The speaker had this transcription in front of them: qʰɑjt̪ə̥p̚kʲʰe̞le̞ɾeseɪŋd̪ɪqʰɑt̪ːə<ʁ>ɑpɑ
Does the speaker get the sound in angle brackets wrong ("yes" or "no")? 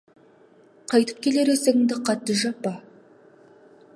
yes